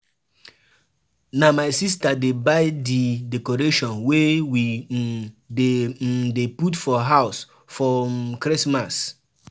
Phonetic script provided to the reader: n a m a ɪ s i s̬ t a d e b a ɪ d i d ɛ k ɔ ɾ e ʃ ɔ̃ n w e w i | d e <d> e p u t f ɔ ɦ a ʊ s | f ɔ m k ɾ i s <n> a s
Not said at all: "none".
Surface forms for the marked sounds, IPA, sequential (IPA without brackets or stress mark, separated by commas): d, m